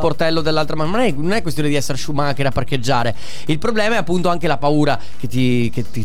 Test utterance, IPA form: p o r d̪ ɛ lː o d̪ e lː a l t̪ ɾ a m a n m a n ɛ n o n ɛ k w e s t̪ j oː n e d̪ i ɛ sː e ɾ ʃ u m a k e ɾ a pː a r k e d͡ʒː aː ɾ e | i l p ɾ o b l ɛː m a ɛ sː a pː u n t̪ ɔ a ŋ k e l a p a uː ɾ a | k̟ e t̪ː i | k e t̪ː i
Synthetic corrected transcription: p o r t̪ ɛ lː o d̪ e lː a l t̪ ɾ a m a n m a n ɛ n o n ɛ k w e s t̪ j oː n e d̪ i ɛ sː e ɾ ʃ u m a k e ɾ a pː a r k e d͡ʒː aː ɾ e | i l p ɾ o b l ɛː m a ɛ a pː u n t̪ o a ŋ k e l a p a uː ɾ a | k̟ e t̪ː i | k e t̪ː i